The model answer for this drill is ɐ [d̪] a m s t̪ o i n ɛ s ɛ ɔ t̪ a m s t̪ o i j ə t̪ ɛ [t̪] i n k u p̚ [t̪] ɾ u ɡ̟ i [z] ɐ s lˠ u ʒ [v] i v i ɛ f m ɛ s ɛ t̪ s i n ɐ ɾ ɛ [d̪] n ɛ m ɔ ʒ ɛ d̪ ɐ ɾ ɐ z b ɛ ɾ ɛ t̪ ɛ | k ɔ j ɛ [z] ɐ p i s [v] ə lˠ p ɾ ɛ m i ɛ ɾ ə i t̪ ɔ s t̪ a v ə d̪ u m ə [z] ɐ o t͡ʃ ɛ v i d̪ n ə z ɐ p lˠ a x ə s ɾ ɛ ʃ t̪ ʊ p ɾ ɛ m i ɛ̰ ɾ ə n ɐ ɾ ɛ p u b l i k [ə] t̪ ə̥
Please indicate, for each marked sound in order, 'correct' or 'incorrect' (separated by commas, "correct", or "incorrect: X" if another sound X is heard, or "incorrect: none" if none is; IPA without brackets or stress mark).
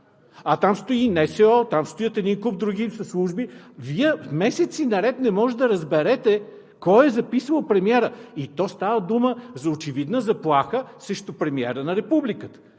incorrect: t̪, incorrect: d̪, incorrect: d̪, incorrect: s, incorrect: b, incorrect: t̪, correct, correct, correct, correct